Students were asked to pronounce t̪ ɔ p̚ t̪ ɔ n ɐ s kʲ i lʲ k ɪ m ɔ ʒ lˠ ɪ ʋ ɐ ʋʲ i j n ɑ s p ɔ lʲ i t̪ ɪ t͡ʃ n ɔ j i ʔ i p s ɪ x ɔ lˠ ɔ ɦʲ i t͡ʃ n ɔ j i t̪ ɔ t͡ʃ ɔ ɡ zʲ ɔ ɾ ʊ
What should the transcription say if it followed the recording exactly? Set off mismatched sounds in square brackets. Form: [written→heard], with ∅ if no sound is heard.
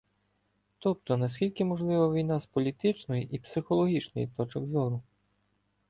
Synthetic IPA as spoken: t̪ ɔ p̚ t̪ ɔ n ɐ s kʲ i lʲ k ɪ m ɔ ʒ lˠ ɪ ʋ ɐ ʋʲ i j n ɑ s p ɔ lʲ i t̪ ɪ t͡ʃ n ɔ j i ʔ i p s ɪ x ɔ lˠ ɔ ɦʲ i t͡ʃ n ɔ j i t̪ ɔ t͡ʃ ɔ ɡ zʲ ɔ ɾ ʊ